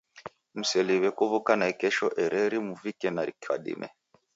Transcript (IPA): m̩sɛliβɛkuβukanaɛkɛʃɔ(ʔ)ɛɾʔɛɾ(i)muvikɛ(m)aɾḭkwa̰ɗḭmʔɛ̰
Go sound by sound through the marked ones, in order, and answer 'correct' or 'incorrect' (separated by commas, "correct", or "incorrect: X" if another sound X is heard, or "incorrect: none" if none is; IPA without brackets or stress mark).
correct, correct, incorrect: n